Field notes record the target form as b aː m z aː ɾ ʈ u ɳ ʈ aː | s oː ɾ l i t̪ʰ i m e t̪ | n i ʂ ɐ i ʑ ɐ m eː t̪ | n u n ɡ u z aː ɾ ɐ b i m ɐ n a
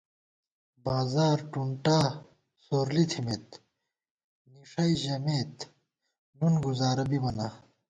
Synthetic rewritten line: b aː z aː ɾ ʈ u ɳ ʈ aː | s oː ɾ l i t̪ʰ i m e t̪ | n i ʂ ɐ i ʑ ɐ m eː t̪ | n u n ɡ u z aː ɾ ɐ b i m ɐ n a